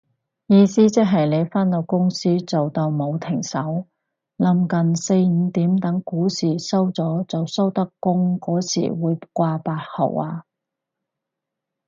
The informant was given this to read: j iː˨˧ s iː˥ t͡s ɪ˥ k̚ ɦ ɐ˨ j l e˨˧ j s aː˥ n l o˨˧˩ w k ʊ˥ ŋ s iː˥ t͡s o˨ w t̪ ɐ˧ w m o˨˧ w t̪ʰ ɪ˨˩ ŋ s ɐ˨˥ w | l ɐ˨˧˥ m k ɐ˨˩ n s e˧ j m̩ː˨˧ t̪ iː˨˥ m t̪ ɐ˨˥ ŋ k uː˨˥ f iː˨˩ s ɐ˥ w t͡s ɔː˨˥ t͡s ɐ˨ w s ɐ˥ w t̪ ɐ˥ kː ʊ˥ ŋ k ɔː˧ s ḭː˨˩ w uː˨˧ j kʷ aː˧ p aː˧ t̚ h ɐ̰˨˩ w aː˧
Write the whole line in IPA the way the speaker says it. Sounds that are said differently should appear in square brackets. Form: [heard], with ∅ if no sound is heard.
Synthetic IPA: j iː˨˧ s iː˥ t͡s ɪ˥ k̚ ɦ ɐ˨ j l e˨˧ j [f] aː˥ n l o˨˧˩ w k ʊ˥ ŋ s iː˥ t͡s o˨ w t̪ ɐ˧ w m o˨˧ w t̪ʰ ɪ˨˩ ŋ s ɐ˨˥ w | l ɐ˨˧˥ m k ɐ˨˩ n s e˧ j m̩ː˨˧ t̪ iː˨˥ m t̪ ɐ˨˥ ŋ k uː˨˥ [s] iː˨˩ s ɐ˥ w t͡s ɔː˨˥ t͡s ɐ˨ w s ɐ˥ w t̪ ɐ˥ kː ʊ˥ ŋ k [ɔː˨˥] s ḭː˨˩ w uː˨˧ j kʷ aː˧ p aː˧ t̚ h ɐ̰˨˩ w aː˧

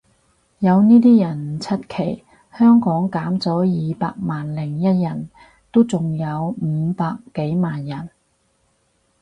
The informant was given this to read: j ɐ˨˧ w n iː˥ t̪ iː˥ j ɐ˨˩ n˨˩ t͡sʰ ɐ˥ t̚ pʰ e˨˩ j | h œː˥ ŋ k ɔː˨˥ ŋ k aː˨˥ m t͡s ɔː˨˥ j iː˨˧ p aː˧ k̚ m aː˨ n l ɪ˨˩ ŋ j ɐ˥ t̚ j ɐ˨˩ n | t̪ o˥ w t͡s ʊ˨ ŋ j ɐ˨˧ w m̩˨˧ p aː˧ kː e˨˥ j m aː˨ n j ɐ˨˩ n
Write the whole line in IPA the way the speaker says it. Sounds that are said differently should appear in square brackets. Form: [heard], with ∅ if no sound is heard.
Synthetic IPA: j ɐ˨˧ w n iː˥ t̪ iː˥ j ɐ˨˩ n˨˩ t͡sʰ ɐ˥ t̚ [kʰ] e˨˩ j | h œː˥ ŋ k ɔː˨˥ ŋ k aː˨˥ m t͡s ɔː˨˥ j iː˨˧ p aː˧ k̚ m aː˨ n l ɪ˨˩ ŋ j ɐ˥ t̚ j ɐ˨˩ n | t̪ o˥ w t͡s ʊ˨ ŋ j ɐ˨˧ w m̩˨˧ p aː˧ kː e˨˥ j m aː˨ n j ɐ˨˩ n

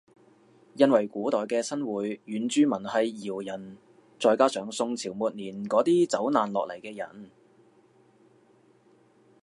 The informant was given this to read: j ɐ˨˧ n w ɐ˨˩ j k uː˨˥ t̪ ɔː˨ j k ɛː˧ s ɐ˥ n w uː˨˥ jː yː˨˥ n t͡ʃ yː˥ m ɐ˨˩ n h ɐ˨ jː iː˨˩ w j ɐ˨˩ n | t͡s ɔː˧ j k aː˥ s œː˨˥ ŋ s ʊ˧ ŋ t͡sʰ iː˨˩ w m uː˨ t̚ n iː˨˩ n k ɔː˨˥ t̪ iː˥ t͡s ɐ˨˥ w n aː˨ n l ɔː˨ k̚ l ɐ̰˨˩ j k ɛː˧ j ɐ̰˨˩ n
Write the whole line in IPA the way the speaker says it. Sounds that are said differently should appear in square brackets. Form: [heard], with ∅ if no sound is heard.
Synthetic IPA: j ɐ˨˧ n w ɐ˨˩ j k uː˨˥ t̪ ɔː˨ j k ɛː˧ s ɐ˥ n w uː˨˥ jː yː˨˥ n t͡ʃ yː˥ m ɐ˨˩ n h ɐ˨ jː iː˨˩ w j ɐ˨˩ n | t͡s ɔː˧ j k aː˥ s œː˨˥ ŋ s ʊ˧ ŋ t͡sʰ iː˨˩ w m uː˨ t̚ n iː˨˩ n k ɔː˨˥ t̪ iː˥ t͡s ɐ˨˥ w n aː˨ n l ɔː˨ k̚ l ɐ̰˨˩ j k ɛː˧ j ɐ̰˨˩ n

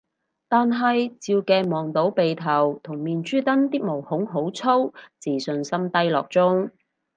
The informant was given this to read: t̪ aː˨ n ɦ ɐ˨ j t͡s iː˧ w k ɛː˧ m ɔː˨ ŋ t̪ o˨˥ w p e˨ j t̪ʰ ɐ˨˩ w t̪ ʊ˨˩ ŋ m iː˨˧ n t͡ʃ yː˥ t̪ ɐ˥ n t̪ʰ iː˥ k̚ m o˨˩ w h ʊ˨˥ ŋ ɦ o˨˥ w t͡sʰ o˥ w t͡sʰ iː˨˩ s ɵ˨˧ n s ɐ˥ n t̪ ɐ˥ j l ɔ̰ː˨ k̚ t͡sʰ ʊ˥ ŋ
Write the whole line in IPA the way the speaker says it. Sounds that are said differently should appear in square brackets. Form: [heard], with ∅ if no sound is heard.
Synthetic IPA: t̪ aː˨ n ɦ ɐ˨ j t͡s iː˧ w k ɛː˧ m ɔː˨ ŋ t̪ o˨˥ w p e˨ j t̪ʰ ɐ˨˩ w [t̪ʰ] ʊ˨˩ ŋ m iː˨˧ n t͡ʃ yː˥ t̪ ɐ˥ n [t̪] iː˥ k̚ m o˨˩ w h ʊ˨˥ ŋ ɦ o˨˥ w t͡sʰ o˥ w [t͡s] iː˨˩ s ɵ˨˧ n s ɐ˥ [m] t̪ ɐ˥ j l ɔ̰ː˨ k̚ [t͡s] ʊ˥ ŋ

